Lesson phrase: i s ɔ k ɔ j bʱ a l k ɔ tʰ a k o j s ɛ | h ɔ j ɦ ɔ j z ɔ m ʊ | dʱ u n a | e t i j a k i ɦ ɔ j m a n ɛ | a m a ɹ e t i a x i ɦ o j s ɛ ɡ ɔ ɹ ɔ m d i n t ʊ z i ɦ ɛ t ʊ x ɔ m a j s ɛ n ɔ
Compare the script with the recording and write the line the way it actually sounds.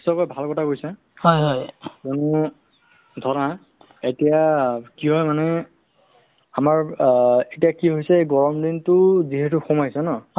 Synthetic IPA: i s ɔ k ɔ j bʱ a l k ɔ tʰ a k o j s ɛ | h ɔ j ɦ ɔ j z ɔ n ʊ | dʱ ɔ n a | e t i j a k i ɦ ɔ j m a n ɛ | a m a ɹ e t i a k i ɦ o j s ɛ ɡ ɔ ɹ ɔ m d i n t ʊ z i ɦ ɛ t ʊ x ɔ m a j s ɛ n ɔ